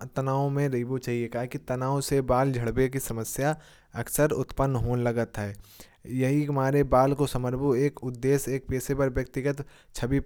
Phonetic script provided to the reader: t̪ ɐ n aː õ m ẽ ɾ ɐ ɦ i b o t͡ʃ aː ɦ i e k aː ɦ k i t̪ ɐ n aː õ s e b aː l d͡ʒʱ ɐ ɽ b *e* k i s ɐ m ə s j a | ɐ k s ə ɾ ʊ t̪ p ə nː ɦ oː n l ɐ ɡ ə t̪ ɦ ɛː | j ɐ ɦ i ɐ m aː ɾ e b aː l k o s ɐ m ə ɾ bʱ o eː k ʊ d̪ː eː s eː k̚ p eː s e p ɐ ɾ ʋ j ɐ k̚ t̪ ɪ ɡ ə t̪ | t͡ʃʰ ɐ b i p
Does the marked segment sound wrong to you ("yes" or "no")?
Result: no